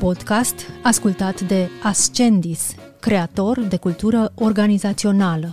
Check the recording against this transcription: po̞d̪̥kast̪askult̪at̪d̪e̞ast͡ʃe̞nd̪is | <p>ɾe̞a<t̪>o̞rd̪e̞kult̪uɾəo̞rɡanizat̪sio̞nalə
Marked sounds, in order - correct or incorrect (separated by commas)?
incorrect, correct